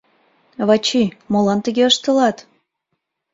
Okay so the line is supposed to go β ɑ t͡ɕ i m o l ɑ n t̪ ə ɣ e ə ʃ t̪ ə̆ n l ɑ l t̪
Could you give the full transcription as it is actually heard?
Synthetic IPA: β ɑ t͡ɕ i m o l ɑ n t̪ ə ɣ e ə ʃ t̪ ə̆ l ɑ t̪